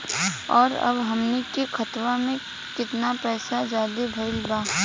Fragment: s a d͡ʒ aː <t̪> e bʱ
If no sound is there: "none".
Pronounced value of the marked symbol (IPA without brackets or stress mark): d̪